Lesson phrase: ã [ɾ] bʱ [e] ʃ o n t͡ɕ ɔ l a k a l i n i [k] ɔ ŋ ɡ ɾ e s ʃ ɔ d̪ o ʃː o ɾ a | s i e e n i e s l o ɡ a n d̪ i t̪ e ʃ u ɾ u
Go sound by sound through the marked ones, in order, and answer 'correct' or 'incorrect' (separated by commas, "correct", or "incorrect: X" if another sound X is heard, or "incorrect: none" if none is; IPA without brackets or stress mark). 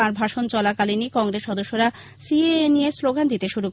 correct, incorrect: a, correct